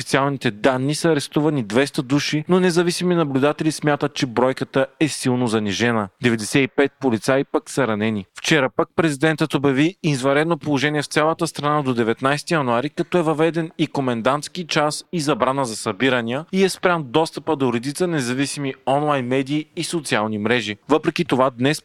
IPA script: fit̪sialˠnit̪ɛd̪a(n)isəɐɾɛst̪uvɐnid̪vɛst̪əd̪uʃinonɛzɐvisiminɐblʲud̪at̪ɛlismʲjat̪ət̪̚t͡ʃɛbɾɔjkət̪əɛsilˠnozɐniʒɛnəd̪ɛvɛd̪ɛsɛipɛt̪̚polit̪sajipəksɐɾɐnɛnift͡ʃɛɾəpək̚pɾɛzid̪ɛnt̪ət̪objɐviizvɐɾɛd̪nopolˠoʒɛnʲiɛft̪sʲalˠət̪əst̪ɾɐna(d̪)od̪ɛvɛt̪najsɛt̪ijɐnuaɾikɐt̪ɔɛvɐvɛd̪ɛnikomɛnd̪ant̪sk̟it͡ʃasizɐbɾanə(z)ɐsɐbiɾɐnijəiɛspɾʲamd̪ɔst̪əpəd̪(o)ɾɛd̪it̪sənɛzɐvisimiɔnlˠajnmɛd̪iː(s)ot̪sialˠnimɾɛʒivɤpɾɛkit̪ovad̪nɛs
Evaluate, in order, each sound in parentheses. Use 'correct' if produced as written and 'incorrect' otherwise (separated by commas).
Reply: incorrect, correct, correct, correct, correct